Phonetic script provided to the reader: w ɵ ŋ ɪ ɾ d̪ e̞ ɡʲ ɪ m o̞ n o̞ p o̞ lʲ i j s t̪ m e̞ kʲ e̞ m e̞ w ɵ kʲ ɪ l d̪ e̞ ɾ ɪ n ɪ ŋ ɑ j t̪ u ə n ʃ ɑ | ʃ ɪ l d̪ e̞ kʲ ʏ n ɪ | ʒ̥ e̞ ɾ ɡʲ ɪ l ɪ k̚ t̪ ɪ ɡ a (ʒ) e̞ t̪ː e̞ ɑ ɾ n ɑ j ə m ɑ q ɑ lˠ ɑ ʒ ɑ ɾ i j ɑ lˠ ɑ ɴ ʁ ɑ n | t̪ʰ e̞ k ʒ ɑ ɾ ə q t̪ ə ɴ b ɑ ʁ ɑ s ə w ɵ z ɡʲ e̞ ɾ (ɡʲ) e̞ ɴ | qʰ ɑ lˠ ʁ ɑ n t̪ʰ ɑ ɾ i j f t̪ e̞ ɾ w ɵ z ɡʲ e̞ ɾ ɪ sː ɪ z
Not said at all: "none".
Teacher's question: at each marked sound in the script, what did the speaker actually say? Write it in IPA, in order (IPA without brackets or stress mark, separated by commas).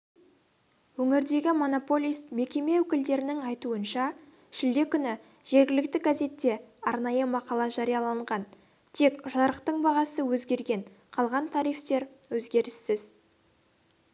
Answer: z, ɡʲ